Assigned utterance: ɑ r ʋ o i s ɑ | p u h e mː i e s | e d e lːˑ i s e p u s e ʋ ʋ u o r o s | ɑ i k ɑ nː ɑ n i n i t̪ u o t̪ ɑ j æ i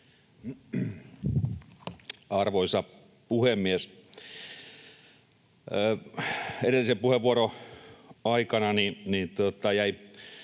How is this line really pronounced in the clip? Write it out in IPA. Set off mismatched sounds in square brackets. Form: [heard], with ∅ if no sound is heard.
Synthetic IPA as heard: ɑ r ʋ o i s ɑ | p u h e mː i e s | e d e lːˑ i s e p u [h] e ʋ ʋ u o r o [∅] | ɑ i k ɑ [n] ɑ n i n i t̪ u o t̪ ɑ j æ i